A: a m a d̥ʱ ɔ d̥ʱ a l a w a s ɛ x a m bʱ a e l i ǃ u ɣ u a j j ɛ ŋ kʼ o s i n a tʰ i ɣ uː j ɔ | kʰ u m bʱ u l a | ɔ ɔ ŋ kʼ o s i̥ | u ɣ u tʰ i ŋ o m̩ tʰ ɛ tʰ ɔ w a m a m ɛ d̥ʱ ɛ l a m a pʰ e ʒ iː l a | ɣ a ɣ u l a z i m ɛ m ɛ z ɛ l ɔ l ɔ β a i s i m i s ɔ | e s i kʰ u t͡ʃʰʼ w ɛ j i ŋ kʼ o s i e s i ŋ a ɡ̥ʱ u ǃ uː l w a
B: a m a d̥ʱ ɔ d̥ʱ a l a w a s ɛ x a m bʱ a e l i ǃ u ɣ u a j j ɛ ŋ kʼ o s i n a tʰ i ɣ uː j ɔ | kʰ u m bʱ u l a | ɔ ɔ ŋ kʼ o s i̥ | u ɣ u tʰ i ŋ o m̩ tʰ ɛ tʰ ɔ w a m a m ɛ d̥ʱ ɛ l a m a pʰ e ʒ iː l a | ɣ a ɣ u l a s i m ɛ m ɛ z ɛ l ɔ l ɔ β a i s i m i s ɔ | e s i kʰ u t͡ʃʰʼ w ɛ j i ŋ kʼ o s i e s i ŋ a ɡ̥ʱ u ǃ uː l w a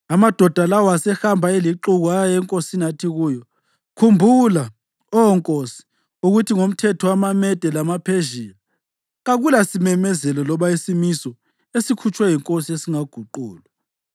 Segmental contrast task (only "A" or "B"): B